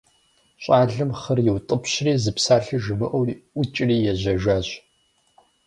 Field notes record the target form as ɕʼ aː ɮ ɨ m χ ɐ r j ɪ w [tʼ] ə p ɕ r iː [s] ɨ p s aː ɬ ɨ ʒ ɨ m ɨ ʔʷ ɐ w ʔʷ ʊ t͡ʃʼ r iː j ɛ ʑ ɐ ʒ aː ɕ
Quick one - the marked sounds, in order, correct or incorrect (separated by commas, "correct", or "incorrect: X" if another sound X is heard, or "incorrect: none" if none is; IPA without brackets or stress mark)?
correct, incorrect: z